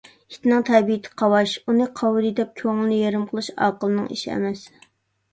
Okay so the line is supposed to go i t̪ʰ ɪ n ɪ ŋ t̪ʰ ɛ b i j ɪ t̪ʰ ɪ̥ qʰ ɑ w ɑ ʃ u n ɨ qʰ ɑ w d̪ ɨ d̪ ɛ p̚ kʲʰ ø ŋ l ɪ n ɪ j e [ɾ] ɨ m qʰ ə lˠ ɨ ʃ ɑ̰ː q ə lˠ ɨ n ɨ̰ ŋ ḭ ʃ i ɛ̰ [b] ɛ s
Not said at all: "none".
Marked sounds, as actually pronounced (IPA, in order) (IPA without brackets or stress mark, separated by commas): ɾ, m